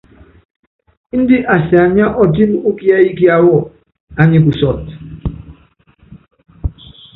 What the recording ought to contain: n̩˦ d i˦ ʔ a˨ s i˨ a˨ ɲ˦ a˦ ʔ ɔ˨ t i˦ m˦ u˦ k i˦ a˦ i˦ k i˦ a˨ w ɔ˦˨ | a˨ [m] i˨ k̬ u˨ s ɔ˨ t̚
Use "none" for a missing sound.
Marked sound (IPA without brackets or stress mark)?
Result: ɲ